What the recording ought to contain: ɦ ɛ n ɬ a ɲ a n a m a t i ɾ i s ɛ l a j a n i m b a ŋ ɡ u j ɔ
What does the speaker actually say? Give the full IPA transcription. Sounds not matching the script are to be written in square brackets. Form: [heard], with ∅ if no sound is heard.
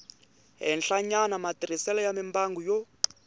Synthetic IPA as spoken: ɦ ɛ n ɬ a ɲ a n a m a t i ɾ i s ɛ l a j a [m] i m b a ŋ ɡ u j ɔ